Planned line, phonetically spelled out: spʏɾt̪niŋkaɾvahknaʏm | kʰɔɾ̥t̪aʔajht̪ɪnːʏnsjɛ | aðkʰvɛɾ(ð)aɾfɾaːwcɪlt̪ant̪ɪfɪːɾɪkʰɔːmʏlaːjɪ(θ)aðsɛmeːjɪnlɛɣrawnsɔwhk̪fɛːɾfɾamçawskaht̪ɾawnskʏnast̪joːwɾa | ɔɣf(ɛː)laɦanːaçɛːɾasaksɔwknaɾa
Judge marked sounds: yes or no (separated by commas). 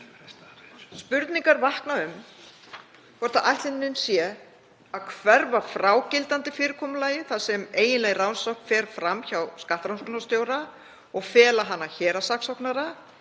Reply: no, yes, yes